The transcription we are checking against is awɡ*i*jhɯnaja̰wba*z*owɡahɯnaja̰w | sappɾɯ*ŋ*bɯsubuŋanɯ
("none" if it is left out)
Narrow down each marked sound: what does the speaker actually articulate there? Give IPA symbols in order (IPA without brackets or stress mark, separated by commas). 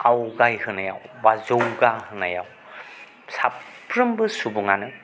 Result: a, z, m